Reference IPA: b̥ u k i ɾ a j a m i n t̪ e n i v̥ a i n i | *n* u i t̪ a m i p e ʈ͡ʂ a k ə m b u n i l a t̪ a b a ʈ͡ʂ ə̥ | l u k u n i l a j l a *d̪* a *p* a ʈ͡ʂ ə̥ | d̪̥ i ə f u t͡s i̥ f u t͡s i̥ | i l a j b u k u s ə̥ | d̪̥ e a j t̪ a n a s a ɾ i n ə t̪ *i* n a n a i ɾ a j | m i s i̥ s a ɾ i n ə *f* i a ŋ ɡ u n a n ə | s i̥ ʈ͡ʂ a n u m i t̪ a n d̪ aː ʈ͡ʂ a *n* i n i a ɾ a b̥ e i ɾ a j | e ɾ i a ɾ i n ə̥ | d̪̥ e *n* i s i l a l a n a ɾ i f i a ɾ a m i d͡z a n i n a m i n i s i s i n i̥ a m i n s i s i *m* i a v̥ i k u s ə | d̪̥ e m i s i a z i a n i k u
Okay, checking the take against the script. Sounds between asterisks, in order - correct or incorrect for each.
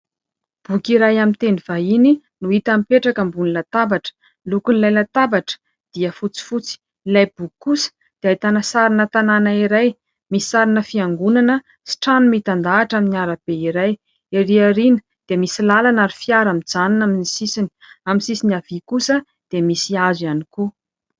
correct, incorrect: t̪, incorrect: b, incorrect: a, correct, incorrect: m, incorrect: m, incorrect: n

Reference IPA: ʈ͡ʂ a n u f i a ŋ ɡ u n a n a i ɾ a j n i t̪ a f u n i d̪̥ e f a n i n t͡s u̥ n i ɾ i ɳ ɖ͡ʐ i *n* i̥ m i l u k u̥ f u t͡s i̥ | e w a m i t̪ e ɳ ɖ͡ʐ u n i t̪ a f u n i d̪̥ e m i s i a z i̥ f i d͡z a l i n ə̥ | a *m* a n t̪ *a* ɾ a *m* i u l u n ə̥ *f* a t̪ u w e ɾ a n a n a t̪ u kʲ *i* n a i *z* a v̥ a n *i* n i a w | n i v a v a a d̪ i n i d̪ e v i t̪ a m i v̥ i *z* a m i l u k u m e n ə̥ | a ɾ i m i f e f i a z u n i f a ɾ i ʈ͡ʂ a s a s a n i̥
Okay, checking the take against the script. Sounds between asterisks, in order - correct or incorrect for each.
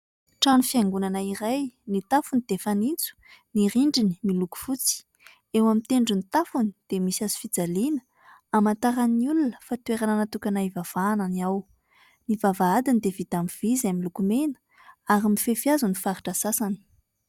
correct, correct, correct, incorrect: n, correct, incorrect: a, incorrect: v, incorrect: a, correct

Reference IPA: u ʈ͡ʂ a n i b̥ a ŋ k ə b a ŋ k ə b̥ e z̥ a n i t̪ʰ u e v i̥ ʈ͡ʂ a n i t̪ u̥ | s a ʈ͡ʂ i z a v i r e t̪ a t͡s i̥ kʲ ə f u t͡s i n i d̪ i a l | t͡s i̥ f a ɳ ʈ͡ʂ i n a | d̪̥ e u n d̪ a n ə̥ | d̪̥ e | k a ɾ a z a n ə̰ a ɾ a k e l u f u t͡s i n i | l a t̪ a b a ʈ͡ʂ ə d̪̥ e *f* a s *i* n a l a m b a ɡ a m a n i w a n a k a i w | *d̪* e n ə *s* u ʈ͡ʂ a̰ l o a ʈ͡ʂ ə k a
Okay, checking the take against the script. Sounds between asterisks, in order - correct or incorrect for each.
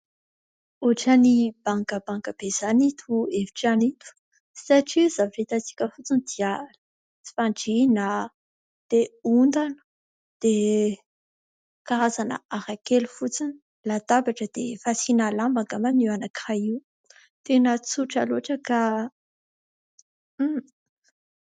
correct, correct, incorrect: t̪, incorrect: t͡s

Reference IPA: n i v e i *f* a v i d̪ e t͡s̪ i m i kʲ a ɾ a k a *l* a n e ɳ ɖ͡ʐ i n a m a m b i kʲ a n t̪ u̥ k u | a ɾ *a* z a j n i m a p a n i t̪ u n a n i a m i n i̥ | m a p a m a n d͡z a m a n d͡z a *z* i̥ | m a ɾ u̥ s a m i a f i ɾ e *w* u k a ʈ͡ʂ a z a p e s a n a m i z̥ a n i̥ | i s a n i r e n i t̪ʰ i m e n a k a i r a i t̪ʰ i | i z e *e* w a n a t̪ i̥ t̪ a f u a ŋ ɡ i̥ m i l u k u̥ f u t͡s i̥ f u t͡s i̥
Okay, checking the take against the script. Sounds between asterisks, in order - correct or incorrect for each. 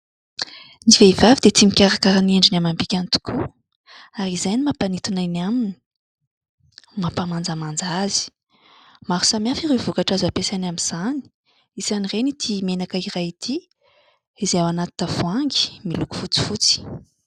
incorrect: v, incorrect: ɾ, incorrect: i, correct, incorrect: v, incorrect: a

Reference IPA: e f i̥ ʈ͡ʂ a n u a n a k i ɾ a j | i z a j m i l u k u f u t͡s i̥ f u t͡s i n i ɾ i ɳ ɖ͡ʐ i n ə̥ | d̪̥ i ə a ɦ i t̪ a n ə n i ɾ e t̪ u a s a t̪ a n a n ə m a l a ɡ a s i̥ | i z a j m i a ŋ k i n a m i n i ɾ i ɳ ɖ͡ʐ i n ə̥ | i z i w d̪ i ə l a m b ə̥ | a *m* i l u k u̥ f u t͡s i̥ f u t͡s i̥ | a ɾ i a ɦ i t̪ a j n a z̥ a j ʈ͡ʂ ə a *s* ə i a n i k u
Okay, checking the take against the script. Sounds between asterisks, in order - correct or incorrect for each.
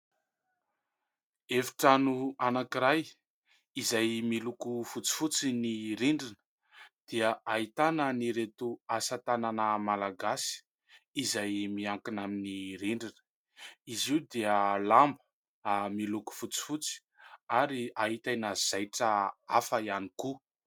correct, incorrect: f

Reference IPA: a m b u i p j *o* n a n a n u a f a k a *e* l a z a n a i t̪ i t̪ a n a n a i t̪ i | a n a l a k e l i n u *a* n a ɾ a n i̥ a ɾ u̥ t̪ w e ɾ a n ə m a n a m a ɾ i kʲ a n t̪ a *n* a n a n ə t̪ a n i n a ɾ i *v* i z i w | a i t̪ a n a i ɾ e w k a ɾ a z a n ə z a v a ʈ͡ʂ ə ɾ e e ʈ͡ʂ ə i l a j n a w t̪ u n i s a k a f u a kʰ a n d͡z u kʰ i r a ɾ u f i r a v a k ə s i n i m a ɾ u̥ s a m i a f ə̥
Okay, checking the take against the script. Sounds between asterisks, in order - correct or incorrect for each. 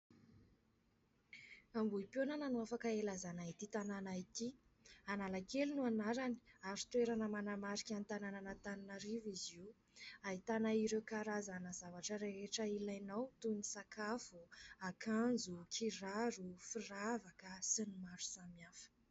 correct, correct, correct, correct, correct

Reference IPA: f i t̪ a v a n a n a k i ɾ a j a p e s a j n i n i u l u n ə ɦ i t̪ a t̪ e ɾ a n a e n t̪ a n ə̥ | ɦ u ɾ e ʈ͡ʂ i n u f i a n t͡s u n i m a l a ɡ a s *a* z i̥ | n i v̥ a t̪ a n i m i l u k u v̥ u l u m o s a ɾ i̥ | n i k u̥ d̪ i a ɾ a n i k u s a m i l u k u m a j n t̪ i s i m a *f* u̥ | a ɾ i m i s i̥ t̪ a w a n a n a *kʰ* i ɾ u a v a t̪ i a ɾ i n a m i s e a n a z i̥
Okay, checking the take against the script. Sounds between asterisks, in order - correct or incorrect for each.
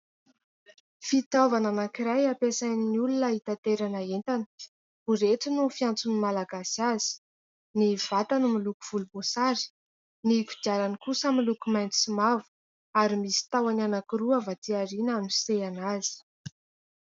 correct, incorrect: v, incorrect: k

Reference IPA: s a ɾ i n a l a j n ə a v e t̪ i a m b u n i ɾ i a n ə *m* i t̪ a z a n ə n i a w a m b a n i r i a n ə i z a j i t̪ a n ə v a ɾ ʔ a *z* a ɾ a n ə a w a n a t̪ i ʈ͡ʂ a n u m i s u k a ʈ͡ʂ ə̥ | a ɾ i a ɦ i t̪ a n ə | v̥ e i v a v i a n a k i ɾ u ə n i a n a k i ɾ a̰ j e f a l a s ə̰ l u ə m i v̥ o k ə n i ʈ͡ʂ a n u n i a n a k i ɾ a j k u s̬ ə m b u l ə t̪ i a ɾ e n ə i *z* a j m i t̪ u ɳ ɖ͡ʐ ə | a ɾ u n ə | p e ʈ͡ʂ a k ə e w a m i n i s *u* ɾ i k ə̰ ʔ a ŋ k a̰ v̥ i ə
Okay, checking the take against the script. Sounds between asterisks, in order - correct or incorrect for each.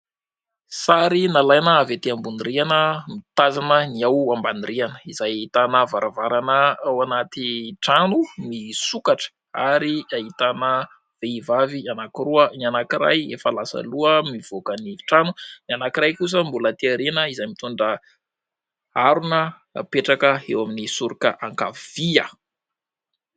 correct, incorrect: v, correct, correct

